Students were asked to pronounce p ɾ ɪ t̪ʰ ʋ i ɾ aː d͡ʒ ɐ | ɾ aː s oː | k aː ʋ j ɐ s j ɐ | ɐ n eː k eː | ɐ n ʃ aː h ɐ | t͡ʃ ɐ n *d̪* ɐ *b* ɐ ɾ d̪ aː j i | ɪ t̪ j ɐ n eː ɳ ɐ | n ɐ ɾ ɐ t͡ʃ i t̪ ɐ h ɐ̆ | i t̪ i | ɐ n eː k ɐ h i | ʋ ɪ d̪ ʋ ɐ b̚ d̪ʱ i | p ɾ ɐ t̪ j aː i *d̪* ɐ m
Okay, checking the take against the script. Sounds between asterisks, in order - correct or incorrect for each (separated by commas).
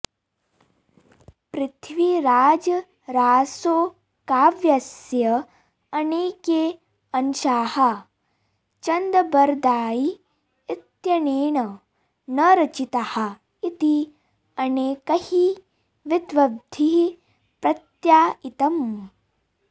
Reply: correct, correct, incorrect